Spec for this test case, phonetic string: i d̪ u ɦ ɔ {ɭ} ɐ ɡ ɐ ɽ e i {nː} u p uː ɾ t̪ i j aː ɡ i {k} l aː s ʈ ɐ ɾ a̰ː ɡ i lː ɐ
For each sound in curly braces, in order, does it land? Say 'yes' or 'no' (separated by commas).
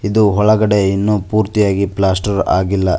yes, yes, no